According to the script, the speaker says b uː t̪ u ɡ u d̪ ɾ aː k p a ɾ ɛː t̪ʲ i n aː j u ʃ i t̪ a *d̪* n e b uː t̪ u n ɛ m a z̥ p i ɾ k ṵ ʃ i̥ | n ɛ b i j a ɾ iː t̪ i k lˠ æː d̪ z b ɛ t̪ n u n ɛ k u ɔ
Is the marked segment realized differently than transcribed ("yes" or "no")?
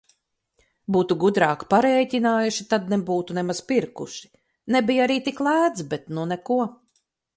no